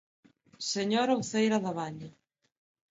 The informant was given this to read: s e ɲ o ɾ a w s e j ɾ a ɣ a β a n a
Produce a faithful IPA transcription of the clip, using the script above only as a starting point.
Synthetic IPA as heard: s e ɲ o ɾ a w θ e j ɾ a ð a β a ɲ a